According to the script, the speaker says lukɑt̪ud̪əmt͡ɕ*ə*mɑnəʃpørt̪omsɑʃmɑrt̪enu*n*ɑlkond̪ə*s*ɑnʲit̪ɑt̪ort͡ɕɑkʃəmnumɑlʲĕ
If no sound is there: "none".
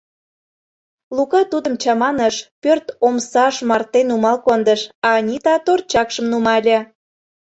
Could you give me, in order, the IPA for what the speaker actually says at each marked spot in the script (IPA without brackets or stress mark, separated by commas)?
ɑ, m, ʃ